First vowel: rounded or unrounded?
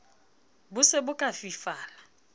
rounded